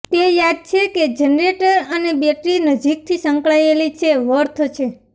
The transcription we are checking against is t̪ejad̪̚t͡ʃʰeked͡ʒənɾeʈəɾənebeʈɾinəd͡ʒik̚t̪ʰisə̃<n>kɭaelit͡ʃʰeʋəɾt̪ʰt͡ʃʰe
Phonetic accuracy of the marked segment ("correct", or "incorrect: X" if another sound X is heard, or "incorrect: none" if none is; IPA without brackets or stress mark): incorrect: ŋ